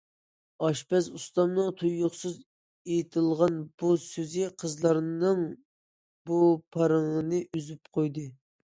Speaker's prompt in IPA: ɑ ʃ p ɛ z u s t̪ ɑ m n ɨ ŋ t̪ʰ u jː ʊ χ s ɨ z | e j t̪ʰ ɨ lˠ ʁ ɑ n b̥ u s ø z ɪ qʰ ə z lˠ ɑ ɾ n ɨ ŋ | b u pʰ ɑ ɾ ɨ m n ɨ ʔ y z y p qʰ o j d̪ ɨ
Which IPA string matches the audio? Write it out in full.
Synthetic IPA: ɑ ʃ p ɛ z u s t̪ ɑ m n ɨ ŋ t̪ʰ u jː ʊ χ s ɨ z | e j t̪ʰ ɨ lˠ ʁ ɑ n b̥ u s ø z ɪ qʰ ə z lˠ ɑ ɾ n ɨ ŋ | b u pʰ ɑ ɾ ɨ ŋ n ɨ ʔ y z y p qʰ o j d̪ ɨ